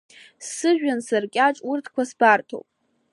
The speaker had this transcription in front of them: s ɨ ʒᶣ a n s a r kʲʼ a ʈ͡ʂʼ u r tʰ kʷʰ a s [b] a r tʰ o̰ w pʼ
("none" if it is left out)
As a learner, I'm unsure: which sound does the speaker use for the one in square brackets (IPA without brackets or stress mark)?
b